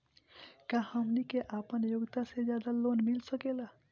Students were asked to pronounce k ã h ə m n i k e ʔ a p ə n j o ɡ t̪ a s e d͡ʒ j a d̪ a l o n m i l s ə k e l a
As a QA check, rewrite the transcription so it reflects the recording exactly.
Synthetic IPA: k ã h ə m n i k e ʔ a p ə n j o ɡ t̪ a s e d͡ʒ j a d̪ a l o n m i l s ə k e l a